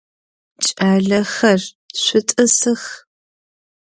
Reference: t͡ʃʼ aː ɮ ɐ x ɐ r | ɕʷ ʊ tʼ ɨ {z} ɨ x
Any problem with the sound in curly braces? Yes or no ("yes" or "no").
yes